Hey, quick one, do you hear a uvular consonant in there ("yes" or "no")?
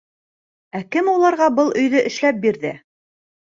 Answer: yes